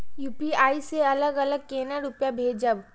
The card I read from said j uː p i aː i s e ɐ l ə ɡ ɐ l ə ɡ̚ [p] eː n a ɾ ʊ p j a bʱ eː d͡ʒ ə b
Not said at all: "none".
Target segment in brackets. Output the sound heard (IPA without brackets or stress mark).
k